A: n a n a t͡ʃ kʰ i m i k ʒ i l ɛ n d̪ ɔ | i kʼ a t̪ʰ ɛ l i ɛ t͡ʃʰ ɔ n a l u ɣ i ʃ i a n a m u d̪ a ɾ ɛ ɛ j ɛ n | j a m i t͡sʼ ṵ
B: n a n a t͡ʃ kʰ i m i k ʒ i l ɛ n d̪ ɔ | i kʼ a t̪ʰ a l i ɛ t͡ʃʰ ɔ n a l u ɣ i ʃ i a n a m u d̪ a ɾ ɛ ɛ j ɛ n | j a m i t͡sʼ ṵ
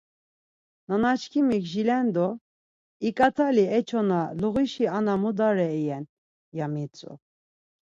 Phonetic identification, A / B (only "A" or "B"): B